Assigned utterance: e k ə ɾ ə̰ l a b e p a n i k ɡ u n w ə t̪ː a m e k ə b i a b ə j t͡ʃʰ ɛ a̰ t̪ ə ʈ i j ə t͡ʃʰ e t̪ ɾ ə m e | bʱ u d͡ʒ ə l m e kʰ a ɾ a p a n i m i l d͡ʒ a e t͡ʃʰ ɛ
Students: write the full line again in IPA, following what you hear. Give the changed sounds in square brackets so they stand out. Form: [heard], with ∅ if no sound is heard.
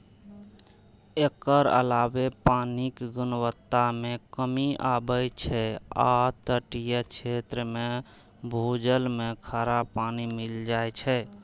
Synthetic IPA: e k ə ɾ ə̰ l a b e p a n i k ɡ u n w ə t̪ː a m e k ə [m] i a b ə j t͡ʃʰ ɛ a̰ t̪ ə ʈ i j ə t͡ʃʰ e t̪ ɾ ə m e | bʱ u d͡ʒ ə l m e kʰ a ɾ a p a n i m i l d͡ʒ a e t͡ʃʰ ɛ